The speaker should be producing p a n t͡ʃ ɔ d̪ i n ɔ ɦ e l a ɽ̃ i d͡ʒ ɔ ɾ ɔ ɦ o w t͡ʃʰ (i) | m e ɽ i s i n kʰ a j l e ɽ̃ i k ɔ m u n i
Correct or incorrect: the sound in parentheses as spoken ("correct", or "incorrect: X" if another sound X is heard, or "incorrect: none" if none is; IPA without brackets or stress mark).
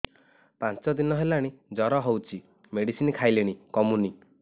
correct